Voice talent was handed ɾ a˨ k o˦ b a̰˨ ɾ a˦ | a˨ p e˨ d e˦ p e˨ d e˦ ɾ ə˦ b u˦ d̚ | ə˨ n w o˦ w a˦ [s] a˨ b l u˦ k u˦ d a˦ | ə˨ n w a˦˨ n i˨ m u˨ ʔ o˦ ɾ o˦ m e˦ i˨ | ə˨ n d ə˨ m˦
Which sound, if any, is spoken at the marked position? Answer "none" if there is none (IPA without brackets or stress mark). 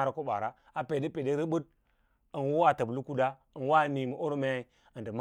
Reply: t